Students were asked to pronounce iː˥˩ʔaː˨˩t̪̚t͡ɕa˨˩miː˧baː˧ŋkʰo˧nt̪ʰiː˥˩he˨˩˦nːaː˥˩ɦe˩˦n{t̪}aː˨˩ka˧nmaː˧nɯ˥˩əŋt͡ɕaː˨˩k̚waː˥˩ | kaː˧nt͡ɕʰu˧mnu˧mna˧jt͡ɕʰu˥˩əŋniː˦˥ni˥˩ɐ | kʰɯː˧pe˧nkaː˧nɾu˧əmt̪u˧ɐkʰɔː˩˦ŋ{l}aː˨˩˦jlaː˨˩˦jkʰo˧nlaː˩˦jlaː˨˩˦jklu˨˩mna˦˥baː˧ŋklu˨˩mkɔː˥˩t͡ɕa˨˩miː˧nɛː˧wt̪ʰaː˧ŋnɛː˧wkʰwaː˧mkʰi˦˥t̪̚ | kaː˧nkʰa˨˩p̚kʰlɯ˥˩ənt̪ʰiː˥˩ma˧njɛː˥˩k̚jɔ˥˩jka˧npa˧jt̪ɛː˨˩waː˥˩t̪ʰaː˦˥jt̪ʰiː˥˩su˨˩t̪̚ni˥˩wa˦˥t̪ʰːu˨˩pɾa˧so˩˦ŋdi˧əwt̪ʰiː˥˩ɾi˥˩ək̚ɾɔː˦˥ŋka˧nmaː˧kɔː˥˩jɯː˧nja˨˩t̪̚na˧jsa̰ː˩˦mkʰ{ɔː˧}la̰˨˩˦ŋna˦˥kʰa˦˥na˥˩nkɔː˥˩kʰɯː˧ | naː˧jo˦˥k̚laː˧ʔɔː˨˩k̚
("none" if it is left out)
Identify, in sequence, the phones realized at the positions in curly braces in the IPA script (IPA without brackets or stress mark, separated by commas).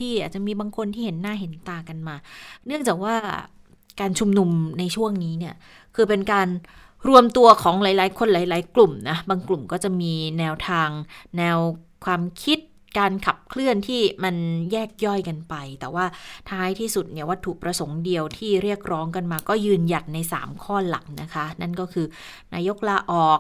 t̪, l, ɔː˥˩